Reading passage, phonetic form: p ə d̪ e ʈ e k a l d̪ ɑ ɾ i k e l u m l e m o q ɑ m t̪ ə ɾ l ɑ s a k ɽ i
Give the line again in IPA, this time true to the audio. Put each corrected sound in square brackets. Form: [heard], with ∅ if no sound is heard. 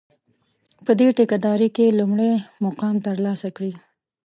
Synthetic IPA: p ə d̪ e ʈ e k a [∅] d̪ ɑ ɾ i k e l u m [ɽ] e m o q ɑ m t̪ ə ɾ l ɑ s a k ɽ i